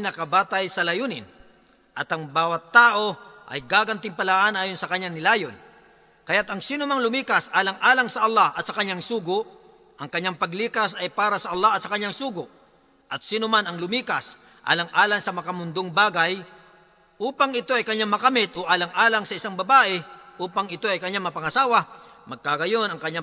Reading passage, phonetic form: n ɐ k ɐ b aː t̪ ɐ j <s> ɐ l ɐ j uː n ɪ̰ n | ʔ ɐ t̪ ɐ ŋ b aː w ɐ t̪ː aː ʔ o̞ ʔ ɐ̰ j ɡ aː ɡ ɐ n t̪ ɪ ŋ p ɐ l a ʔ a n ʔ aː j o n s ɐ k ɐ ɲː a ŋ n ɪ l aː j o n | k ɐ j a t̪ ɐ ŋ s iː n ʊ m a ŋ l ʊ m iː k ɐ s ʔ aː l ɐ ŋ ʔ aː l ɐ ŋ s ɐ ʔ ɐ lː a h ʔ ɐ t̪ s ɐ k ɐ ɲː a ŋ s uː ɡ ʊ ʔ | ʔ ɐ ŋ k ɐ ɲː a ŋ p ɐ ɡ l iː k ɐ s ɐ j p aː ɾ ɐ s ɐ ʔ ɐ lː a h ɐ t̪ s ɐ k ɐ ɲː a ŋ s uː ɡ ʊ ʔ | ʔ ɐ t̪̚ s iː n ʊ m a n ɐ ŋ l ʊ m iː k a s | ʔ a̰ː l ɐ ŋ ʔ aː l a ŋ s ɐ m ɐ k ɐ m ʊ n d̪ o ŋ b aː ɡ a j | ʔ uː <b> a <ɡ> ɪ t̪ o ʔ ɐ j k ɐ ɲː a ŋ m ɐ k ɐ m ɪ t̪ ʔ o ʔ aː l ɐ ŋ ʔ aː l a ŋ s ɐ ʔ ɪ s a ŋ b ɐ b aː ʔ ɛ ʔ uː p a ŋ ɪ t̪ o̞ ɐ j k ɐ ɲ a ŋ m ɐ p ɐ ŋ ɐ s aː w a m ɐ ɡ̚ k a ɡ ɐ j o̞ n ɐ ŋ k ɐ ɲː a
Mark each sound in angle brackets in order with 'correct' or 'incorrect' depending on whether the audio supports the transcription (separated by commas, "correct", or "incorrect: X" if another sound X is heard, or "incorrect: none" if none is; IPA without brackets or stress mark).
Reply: correct, incorrect: p, incorrect: ŋ